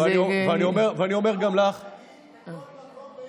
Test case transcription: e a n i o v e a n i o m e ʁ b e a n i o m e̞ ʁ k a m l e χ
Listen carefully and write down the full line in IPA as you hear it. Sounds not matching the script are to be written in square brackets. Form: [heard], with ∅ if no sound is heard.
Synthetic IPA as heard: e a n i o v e a n i o m e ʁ [v] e a n i o m e̞ ʁ [ɡ] a m l [a] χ